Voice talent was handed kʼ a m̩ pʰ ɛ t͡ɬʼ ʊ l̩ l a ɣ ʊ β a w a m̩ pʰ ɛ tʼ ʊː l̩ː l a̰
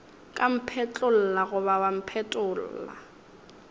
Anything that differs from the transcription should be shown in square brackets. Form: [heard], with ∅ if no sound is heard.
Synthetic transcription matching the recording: kʼ a m̩ pʰ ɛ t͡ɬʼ ʊ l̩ l a ɣ ʊ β a w a m̩ pʰ ɛ tʼ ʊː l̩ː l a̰